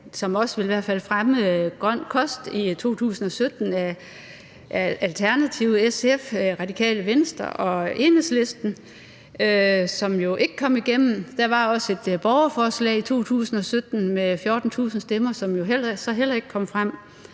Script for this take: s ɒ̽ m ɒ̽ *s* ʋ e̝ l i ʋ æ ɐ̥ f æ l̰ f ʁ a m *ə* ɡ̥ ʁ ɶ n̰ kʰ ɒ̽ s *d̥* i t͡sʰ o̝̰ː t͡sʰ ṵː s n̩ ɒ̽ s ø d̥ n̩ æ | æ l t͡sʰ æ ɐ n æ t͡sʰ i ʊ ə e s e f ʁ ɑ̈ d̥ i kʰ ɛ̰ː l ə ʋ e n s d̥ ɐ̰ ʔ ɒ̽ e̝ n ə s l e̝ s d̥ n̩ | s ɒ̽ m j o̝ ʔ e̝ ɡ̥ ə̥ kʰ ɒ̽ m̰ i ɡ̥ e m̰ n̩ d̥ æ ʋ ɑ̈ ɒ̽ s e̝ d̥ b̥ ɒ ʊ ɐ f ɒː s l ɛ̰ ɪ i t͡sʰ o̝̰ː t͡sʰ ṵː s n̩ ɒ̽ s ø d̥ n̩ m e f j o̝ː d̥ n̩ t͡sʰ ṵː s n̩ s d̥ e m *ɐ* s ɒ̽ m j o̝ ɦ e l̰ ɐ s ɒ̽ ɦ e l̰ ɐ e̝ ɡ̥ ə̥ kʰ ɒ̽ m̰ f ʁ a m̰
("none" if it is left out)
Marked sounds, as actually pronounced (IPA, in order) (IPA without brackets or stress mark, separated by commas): s, ə, d̥, ɐ